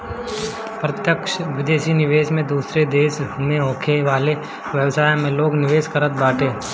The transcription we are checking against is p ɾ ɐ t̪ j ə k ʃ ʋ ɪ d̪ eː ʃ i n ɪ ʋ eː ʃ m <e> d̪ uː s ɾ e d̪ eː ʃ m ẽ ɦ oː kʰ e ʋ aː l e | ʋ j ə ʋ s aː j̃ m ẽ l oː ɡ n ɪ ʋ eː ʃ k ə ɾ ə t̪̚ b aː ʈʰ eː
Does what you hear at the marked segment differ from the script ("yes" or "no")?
yes